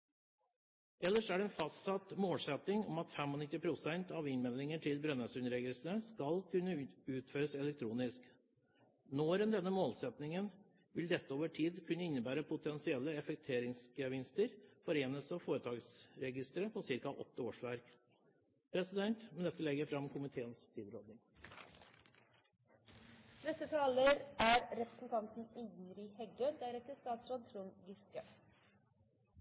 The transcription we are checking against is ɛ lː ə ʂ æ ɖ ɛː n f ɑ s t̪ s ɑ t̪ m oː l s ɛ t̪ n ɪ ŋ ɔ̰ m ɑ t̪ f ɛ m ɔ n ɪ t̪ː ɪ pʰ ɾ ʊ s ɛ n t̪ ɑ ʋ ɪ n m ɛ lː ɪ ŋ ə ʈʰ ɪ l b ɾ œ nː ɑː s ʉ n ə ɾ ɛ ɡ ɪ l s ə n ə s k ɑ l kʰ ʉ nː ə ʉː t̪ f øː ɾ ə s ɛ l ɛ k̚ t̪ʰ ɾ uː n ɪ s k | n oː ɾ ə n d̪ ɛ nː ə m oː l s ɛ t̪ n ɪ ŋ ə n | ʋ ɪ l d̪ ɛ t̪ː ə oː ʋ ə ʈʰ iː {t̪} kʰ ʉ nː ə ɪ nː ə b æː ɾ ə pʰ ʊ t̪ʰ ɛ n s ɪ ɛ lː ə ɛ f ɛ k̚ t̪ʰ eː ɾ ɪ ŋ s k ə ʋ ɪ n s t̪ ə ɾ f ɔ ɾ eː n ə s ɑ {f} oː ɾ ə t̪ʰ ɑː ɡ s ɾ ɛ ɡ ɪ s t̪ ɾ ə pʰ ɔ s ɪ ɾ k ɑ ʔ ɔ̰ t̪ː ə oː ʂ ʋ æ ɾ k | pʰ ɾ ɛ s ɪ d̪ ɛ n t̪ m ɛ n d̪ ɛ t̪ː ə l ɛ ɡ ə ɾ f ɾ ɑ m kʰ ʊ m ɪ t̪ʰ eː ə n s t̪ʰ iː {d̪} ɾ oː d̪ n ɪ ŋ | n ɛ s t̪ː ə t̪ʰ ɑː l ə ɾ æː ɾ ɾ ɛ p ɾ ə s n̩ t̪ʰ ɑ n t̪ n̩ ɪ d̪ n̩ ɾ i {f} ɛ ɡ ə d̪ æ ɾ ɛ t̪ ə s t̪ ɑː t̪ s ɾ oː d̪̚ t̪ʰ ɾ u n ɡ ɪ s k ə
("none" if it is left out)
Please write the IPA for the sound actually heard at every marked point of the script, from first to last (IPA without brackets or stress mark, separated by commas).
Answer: d̪, f, d̪, h